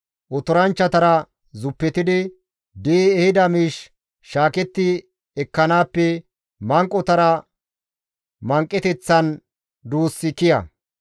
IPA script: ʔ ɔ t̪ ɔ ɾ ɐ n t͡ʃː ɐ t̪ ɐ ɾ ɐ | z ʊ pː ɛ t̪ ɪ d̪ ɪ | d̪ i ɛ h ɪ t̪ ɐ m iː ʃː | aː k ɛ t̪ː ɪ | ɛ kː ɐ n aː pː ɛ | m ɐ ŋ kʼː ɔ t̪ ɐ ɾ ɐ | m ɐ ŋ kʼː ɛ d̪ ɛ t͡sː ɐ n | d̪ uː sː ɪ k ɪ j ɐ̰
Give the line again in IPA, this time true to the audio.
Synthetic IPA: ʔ ɔ t̪ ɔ ɾ ɐ n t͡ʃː ɐ t̪ ɐ ɾ ɐ | z ʊ pː ɛ t̪ ɪ d̪ ɪ | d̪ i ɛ h ɪ d̪ ɐ m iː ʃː | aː k ɛ t̪ː ɪ | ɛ kː ɐ n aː pː ɛ | m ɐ ŋ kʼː ɔ t̪ ɐ ɾ ɐ | m ɐ ŋ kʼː ɛ t̪ ɛ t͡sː ɐ n | d̪ uː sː ɪ k ɪ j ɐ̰

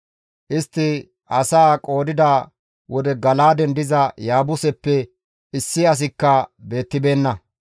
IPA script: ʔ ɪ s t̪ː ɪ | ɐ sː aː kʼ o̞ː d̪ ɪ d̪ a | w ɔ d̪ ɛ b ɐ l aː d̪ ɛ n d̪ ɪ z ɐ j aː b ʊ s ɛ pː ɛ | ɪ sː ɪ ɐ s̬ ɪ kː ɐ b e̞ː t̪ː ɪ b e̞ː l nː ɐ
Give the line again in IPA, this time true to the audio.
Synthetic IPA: ʔ ɪ s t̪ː ɪ | ɐ s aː kʼ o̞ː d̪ ɪ d̪ a | w ɔ d̪ ɛ ɡ ɐ l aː d̪ ɛ n d̪ ɪ z ɐ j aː b ʊ s ɛ pː ɛ | ɪ sː ɪ ɐ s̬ ɪ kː ɐ b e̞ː t̪ː ɪ b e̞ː nː ɐ

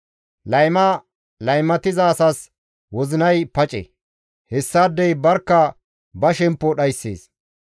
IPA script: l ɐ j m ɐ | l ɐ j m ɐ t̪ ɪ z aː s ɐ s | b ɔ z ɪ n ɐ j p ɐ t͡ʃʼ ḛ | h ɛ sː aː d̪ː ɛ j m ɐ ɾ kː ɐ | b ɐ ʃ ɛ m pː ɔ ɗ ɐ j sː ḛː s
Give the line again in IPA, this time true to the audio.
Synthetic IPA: l ɐ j m ɐ | l ɐ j m ɐ t̪ ɪ z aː s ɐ s | w ɔ z ɪ n ɐ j p ɐ t͡ʃʼ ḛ | h ɛ sː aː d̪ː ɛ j b ɐ ɾ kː ɐ | b ɐ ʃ ɛ m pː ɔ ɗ ɐ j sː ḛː s

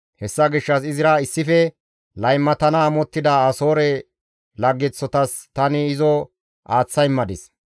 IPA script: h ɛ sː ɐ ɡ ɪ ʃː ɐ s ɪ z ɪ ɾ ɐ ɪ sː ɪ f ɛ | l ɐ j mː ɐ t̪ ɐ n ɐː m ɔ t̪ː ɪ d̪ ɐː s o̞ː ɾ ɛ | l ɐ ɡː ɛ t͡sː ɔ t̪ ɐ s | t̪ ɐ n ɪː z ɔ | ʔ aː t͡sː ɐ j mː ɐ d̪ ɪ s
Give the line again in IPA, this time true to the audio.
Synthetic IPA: h ɛ sː ɐ ɡ ɪ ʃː ɐ s ɪ z ɪ ɾ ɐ ɪ sː ɪ f ɛ | l ɐ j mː ɐ t̪ ɐ n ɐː m ɔ t̪ː ɪ d̪ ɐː s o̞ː ɾ ɛ | l ɐ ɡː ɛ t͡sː ɔ t̪ ɐ s | t̪ ɐ n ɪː z ɔ | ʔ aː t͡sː ɐ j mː ɐ d̪ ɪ s

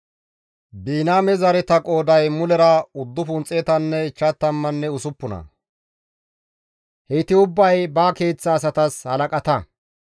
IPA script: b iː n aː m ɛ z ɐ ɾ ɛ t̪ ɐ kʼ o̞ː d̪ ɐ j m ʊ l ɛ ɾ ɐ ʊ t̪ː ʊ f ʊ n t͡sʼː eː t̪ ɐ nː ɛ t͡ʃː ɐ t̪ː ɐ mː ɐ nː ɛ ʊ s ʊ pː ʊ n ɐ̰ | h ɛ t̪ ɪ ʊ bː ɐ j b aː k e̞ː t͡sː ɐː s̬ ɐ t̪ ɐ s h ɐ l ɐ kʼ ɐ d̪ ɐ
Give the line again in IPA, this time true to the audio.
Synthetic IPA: b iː n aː m ɛ z ɐ ɾ ɛ t̪ ɐ kʼ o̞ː d̪ ɐ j m ʊ l ɛ ɾ ɐ ʊ d̪ː ʊ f ʊ n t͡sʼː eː t̪ ɐ nː ɛ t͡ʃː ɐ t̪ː ɐ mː ɐ nː ɛ ʊ s ʊ pː ʊ n ɐ̰ | h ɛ t̪ ɪ ʊ bː ɐ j b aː k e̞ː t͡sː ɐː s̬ ɐ t̪ ɐ s h ɐ l ɐ kʼ ɐ t̪ ɐ

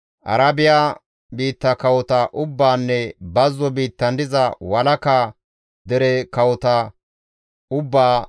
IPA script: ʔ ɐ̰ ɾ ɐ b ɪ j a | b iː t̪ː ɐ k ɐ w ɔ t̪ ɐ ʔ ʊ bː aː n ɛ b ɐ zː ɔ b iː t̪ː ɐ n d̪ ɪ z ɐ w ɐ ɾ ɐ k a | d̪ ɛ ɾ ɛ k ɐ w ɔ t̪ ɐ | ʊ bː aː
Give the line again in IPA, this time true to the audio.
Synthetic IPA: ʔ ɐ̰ ɾ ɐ b ɪ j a | b iː t̪ː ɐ k ɐ w ɔ t̪ ɐ ʔ ʊ bː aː nː ɛ b ɐ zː ɔ b iː t̪ː ɐ n d̪ ɪ z ɐ w ɐ l ɐ k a | d̪ ɛ ɾ ɛ k ɐ w ɔ t̪ ɐ | ʊ bː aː

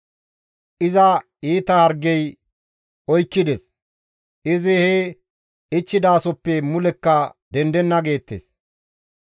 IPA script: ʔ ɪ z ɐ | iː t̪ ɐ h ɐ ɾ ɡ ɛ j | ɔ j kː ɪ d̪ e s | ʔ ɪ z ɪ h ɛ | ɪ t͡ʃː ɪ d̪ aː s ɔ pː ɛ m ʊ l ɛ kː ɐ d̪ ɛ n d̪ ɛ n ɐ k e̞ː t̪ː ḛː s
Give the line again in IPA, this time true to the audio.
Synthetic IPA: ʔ ɪ z ɐ | iː t̪ ɐ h ɐ ɾ ɡ ɛ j | ɔ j kː ɪ d̪ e s | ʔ ɪ z ɪ h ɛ | ɪ t͡ʃː ɪ d̪ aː s ɔ pː ɛ m ʊ l ɛ kː ɐ d̪ ɛ n d̪ ɛ nː ɐ ɡ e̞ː t̪ː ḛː s

